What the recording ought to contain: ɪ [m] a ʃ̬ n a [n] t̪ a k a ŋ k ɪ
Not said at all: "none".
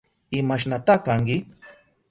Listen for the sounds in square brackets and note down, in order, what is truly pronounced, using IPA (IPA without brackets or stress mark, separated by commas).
m, none